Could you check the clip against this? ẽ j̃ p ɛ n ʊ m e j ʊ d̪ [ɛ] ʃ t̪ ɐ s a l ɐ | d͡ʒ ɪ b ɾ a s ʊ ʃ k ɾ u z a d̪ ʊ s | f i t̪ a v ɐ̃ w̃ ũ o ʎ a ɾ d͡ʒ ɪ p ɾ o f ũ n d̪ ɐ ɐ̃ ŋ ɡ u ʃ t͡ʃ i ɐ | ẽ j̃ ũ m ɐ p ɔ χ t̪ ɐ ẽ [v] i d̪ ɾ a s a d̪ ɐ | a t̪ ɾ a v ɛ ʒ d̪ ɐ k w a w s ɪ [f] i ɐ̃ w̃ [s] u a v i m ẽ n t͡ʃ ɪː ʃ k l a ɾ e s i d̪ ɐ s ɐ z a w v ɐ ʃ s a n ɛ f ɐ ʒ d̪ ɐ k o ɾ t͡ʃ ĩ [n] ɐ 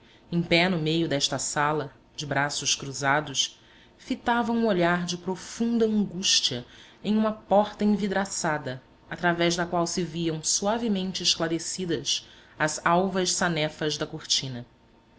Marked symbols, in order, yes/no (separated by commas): yes, yes, no, yes, yes